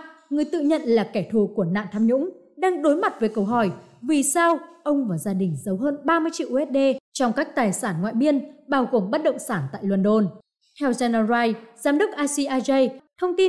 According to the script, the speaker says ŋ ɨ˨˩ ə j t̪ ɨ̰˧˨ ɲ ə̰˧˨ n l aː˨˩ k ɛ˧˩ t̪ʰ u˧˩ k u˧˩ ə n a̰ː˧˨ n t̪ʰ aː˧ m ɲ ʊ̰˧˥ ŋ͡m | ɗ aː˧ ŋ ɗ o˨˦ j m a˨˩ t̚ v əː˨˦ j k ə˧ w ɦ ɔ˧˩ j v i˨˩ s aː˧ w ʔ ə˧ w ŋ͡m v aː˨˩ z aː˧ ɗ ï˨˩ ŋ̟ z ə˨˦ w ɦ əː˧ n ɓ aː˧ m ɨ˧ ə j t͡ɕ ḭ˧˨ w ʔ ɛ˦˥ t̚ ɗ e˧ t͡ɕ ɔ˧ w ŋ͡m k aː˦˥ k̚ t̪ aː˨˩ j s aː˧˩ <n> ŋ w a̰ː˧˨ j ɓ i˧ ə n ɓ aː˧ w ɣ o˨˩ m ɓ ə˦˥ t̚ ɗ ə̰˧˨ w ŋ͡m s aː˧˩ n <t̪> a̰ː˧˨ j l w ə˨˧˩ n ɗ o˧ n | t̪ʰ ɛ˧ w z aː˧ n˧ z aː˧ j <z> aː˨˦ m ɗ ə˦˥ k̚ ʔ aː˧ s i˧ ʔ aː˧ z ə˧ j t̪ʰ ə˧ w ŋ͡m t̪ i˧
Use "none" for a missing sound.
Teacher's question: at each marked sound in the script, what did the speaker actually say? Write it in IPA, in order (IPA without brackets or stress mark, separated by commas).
n, t̪, z